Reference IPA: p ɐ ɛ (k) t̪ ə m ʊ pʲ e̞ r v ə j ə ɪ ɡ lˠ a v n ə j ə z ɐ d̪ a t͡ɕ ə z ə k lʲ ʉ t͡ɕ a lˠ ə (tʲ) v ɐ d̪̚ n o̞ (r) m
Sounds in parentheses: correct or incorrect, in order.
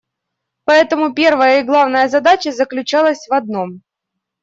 incorrect: none, incorrect: sʲ, incorrect: none

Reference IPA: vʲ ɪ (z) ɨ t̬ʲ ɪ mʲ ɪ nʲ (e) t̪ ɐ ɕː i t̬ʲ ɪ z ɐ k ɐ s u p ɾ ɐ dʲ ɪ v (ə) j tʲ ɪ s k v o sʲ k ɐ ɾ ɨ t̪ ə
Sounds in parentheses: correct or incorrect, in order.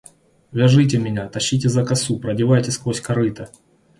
incorrect: ʐ, incorrect: a, incorrect: a

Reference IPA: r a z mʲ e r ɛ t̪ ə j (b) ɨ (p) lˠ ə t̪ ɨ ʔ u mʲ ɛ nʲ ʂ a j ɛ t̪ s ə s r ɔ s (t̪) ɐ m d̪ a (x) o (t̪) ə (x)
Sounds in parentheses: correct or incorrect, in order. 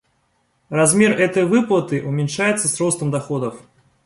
incorrect: v, correct, correct, correct, incorrect: d̪, incorrect: f

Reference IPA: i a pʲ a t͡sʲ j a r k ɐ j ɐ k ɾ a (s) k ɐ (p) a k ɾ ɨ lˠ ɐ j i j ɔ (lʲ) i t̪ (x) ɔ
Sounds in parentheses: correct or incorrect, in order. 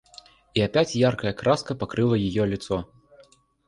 correct, correct, correct, incorrect: s

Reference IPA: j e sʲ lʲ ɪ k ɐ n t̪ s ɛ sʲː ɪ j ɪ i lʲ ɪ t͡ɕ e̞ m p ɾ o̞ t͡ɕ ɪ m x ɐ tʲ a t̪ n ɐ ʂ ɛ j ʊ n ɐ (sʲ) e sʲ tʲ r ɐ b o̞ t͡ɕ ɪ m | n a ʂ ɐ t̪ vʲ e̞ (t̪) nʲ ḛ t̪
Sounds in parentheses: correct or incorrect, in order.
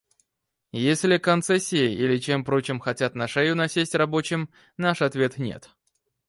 correct, correct

